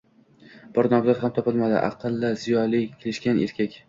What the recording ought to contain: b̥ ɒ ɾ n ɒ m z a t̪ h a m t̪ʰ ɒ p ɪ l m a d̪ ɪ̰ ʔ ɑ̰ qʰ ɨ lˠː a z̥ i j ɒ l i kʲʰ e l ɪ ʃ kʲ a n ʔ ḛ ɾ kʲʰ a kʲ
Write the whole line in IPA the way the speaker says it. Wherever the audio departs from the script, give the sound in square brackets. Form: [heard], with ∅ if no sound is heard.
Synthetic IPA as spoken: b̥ ɒ ɾ n ɒ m z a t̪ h a m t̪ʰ ɒ p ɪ l m a d̪ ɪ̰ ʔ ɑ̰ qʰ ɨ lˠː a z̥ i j ɒ l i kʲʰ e l ɪ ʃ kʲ a n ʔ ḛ ɾ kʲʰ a kʲ